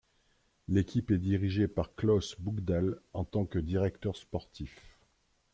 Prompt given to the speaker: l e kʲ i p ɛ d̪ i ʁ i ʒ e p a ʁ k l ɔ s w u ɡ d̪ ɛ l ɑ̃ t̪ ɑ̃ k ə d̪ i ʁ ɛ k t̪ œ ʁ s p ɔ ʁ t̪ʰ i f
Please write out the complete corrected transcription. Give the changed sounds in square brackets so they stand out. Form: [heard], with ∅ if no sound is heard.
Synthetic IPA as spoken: l e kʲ i p ɛ d̪ i ʁ i ʒ e p a ʁ k l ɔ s [b] u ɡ d̪ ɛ l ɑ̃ t̪ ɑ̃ k ə d̪ i ʁ ɛ k t̪ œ ʁ s p ɔ ʁ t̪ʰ i f